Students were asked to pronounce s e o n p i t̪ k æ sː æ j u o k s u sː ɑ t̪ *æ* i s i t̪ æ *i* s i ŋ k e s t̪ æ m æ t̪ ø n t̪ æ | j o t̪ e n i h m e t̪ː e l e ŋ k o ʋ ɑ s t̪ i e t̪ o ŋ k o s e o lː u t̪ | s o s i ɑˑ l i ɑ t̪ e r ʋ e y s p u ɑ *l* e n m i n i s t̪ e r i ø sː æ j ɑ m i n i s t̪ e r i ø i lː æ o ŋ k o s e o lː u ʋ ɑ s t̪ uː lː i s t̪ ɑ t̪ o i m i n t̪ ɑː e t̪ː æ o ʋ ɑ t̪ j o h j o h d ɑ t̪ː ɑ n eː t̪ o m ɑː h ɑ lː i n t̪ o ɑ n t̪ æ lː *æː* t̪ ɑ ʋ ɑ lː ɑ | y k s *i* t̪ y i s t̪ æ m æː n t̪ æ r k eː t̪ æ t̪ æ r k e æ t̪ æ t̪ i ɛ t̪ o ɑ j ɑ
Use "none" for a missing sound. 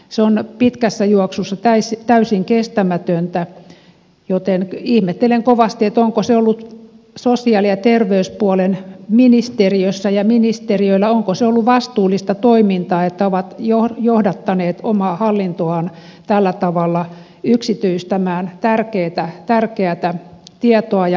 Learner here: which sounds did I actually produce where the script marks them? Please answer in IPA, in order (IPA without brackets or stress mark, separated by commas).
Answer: æ, y, l, æ, i